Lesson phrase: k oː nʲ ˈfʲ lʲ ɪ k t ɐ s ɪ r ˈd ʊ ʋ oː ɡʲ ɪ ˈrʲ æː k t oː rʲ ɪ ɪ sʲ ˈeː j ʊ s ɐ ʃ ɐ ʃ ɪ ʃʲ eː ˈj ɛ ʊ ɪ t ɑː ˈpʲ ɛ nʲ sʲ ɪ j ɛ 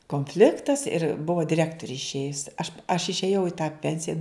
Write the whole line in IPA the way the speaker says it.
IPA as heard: k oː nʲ ˈfʲ lʲ ɪ k t ɐ s ɪ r ˈb ʊ ʋ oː dʲ ɪ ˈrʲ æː k t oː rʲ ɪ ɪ ʃʲ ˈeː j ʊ s ɐ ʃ ɐ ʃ ɪ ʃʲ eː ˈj ɛ ʊ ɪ t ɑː ˈpʲ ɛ nʲ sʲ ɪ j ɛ